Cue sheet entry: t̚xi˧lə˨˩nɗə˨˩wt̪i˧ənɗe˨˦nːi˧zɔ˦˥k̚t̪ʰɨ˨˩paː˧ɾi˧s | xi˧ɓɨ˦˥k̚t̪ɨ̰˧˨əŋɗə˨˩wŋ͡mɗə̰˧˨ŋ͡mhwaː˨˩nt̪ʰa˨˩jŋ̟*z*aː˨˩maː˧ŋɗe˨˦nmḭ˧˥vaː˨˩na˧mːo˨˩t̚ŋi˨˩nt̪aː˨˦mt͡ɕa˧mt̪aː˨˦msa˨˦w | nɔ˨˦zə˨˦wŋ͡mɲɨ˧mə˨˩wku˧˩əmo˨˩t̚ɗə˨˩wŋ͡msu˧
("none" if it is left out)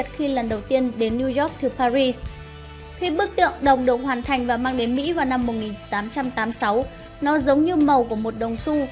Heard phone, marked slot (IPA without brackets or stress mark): v